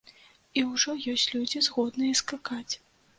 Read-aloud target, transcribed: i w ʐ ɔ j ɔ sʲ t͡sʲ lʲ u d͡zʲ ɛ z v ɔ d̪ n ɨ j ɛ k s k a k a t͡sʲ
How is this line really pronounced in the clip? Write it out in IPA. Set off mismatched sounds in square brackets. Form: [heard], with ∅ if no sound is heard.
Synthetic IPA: i w ʐ ɔ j ɔ sʲ t͡sʲ lʲ u d͡zʲ [i] z [ɣ] ɔ d̪ n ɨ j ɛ [∅] s k a k a t͡sʲ